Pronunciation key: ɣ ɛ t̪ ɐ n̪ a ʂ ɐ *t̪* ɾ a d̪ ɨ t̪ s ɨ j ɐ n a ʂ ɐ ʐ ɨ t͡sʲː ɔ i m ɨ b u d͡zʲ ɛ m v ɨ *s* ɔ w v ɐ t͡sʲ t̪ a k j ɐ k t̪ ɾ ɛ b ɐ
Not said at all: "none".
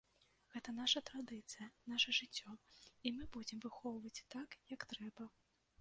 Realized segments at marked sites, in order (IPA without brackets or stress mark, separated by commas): t̪, x